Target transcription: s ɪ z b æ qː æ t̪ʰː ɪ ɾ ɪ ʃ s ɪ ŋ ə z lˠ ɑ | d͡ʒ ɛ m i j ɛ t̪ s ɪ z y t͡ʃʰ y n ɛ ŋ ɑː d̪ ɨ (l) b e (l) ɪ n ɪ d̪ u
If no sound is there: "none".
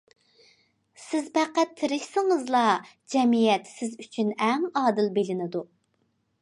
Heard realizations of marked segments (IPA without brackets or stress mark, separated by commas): l, l